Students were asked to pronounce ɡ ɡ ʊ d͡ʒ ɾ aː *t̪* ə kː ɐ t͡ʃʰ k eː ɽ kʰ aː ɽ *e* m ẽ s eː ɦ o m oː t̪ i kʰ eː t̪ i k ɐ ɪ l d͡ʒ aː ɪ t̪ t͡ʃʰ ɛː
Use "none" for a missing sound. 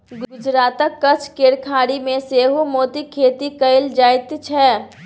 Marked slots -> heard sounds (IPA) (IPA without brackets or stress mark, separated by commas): t̪, i